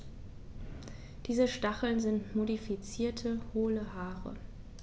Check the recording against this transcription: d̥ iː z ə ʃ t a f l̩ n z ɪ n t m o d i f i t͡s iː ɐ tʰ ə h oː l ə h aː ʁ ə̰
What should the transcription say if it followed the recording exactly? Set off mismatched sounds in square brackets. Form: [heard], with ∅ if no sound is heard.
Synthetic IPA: d̥ iː z ə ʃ t a [χ] l̩ n z ɪ n t m o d i f i t͡s iː ɐ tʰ ə h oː l ə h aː ʁ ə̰